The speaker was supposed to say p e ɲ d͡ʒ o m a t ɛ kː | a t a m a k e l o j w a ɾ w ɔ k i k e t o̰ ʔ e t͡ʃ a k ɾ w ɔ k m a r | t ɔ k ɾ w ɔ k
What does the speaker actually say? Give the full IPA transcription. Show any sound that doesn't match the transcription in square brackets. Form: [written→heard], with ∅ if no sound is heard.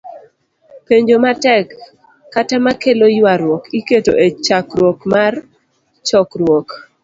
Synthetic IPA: p e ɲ d͡ʒ o m a t ɛ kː | a t a m a k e l o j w a ɾ w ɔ k i k e t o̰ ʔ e t͡ʃ a k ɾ w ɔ k m a r | [t→t͡ʃ] ɔ k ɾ w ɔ k